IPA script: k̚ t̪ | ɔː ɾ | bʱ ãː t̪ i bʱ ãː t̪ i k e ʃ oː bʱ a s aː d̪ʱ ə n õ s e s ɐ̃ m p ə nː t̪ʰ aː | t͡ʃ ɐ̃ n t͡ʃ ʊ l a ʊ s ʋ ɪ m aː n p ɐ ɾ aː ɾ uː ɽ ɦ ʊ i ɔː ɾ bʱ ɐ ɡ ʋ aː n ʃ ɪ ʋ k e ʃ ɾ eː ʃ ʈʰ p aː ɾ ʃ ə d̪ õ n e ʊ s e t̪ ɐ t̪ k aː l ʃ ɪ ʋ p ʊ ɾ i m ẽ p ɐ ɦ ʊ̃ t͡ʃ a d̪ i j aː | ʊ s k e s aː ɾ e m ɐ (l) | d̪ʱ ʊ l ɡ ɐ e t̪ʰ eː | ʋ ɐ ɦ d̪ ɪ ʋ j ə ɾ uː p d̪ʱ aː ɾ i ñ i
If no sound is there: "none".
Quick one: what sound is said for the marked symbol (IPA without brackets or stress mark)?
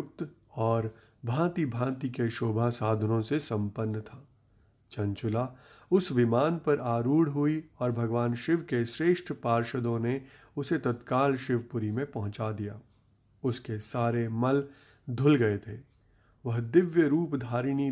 l